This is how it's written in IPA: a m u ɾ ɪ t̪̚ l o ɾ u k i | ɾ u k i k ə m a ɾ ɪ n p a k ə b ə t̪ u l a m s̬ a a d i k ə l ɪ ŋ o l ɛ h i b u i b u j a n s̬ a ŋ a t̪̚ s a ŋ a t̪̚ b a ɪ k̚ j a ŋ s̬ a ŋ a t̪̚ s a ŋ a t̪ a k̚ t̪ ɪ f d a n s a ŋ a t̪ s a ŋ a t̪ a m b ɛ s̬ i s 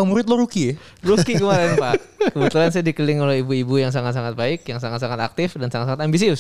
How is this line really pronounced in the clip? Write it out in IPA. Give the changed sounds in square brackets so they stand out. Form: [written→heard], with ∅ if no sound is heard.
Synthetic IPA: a m u ɾ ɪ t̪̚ l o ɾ u k i | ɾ u k i k ə m a ɾ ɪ n p a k ə b ə t̪ u l a [m→n] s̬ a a d i k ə l ɪ ŋ o l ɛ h i b u i b u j a [n→ŋ] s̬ a ŋ a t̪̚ s a ŋ a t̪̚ b a ɪ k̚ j a ŋ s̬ a ŋ a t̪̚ s a ŋ a t̪ a k̚ t̪ ɪ f d a n s a ŋ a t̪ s a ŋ a t̪ a m b [ɛ→i] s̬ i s